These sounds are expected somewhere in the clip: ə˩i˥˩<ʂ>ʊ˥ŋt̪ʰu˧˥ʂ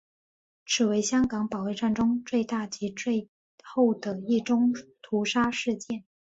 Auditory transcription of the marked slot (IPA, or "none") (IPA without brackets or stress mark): ʈ͡ʂ